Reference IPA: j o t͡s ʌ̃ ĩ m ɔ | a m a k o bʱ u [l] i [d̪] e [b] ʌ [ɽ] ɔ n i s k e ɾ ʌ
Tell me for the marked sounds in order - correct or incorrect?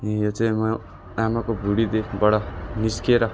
incorrect, correct, correct, correct

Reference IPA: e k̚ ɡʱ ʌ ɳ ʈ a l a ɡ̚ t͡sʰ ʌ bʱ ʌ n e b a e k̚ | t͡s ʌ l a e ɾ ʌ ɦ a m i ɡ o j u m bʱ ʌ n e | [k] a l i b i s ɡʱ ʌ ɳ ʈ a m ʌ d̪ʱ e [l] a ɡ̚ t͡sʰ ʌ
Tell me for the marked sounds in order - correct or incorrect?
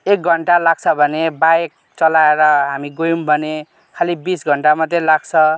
incorrect, correct

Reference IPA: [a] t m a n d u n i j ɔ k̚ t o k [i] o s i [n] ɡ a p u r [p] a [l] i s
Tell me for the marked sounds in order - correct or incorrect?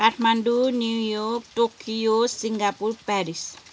correct, correct, incorrect, correct, incorrect

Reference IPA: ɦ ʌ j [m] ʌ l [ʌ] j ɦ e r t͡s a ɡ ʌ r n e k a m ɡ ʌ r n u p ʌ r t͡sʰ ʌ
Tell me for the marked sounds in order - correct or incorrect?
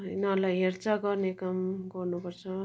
incorrect, incorrect

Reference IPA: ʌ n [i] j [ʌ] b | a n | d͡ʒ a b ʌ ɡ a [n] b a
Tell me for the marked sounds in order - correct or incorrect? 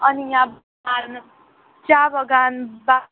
correct, incorrect, correct

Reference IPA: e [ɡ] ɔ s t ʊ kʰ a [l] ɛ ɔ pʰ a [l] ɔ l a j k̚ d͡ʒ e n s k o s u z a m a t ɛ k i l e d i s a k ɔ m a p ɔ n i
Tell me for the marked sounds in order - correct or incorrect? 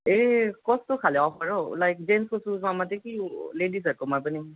incorrect, correct, incorrect

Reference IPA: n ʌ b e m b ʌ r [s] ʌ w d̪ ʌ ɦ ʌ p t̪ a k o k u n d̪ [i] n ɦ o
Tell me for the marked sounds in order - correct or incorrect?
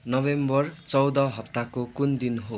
incorrect, correct

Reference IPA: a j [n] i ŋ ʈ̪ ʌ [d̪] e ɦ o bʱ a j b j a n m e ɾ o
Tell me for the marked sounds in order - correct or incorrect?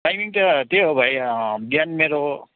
incorrect, incorrect

